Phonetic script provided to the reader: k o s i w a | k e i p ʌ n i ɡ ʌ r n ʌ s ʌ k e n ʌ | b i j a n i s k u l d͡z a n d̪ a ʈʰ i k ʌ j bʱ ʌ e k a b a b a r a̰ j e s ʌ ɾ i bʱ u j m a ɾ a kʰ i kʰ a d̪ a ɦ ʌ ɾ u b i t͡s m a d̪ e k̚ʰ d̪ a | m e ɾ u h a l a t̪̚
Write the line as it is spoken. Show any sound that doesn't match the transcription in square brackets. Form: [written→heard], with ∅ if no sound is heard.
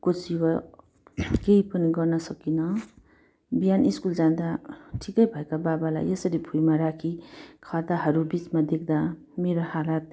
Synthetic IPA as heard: k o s i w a | k e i p ʌ n i ɡ ʌ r n ʌ s ʌ k [e→i] n ʌ | b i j a n i s k u l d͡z a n d̪ a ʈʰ i k ʌ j bʱ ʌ e k a b a b a [r→l] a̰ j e s ʌ ɾ i bʱ u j m a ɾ a kʰ i kʰ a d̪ a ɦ ʌ ɾ u b i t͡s m a d̪ e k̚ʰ d̪ a | m e ɾ [u→o] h a l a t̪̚